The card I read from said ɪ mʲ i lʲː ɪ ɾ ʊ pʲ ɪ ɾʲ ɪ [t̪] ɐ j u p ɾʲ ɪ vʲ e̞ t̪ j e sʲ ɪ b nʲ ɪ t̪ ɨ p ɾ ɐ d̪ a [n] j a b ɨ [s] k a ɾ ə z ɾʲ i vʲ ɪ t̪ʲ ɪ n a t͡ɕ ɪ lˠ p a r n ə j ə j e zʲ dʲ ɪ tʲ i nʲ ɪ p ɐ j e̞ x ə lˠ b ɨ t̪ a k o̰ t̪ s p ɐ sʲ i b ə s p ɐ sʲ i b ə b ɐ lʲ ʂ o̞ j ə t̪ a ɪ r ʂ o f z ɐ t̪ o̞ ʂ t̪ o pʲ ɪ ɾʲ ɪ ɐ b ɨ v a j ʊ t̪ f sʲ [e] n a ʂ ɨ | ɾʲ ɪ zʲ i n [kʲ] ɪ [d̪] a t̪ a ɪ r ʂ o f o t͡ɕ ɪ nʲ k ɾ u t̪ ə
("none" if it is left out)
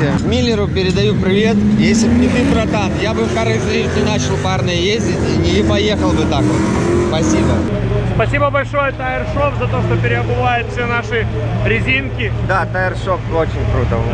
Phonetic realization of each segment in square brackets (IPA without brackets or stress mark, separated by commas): d̪, n, f, e, kʲ, d̪